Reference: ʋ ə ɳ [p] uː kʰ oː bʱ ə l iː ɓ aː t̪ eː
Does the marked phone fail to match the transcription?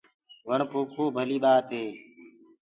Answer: no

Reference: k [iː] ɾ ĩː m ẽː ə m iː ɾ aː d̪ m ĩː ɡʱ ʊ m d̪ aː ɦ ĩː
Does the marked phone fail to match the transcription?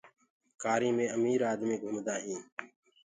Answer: yes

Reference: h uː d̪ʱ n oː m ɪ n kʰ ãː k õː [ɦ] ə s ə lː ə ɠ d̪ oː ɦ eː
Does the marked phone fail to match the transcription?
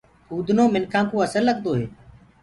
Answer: yes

